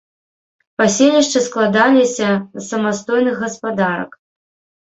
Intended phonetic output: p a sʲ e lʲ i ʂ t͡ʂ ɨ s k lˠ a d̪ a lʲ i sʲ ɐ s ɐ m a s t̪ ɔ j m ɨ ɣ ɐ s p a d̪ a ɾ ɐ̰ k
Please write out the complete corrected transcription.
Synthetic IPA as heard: p a sʲ e lʲ i ʂ t͡ʂ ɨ s k lˠ a d̪ a lʲ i sʲ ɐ s ɐ m a s t̪ ɔ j n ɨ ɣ ɐ s p a d̪ a ɾ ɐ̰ k